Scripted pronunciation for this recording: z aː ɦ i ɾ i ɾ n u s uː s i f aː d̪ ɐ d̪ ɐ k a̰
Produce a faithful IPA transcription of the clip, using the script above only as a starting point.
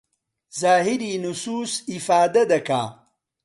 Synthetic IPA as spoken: z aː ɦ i ɾ i n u s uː s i f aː d̪ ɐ d̪ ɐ k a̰